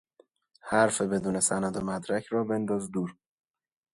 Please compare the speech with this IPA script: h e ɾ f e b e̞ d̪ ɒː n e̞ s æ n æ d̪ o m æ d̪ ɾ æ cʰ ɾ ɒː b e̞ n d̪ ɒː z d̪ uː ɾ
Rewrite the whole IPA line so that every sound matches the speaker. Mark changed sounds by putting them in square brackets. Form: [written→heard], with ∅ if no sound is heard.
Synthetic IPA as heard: h [e→æ] ɾ f e b e̞ d̪ [ɒː→uː] n e̞ s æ n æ d̪ o m æ d̪ ɾ æ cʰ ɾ ɒː b e̞ n d̪ ɒː z d̪ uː ɾ